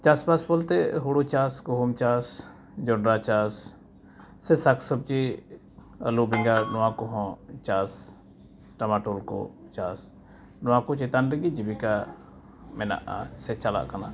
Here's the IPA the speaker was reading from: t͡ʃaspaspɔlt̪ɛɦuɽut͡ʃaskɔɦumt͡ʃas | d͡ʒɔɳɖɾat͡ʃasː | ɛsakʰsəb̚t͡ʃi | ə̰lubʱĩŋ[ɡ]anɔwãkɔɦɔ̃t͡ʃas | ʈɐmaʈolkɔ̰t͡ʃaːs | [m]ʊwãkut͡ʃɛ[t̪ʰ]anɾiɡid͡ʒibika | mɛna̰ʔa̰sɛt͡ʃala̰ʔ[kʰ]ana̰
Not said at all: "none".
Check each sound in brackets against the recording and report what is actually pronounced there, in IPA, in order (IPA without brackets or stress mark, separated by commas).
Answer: ɡ, n, t̪, k